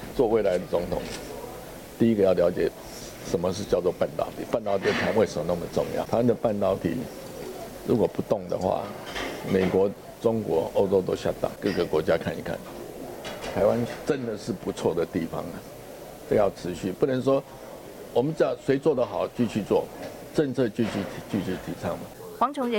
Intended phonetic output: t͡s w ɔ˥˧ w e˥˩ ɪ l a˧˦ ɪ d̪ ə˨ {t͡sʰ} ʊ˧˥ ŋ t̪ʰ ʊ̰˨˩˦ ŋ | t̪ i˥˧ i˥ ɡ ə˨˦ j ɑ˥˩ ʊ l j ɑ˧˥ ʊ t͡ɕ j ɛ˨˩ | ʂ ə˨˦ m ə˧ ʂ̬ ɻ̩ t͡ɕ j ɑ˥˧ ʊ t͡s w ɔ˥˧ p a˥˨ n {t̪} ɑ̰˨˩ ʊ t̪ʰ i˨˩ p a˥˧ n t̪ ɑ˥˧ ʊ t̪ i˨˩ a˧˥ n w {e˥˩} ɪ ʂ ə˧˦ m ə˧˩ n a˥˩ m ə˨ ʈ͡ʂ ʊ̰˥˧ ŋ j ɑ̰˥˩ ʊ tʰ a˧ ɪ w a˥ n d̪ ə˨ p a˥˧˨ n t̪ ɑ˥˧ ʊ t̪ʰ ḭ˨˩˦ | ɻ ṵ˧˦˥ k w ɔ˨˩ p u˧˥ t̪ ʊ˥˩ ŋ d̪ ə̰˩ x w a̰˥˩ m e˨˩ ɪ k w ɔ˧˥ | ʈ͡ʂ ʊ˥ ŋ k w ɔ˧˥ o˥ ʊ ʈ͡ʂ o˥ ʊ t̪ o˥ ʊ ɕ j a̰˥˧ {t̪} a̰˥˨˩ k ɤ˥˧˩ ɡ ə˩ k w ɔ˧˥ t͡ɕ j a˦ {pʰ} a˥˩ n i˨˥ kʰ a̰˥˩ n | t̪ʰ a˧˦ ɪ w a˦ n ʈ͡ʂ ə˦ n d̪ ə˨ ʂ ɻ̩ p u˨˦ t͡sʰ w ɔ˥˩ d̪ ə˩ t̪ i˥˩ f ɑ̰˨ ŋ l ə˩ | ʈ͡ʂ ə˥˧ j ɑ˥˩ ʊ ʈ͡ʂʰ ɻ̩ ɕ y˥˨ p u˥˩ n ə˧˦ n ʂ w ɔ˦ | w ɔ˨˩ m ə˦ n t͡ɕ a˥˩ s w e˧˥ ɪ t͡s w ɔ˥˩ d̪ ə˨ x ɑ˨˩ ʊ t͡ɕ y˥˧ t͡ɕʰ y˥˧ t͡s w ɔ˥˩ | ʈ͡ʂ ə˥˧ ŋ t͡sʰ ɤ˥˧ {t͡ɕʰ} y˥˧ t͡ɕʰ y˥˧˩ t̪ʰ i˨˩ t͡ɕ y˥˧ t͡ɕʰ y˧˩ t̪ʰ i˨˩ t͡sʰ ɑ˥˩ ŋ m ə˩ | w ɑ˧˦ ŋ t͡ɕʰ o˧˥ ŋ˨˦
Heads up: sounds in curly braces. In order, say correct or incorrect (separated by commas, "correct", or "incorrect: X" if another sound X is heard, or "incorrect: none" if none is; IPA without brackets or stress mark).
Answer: incorrect: t͡s, correct, incorrect: e˥, correct, incorrect: kʰ, incorrect: t͡ɕ